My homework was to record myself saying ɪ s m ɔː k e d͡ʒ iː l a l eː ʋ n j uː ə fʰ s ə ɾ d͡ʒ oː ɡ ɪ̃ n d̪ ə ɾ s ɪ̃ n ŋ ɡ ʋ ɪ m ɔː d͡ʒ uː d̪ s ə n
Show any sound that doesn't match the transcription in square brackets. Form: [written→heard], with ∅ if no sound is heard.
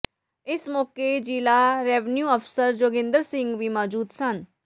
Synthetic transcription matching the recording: ɪ s m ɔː k e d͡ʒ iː l a [l→ɾ] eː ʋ n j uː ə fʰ s ə ɾ d͡ʒ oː ɡ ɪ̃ n d̪ ə ɾ s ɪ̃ [n→∅] ŋ ɡ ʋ [ɪ→i] m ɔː d͡ʒ uː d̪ s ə n